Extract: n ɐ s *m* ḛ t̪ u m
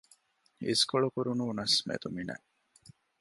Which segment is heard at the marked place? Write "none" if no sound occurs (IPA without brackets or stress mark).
m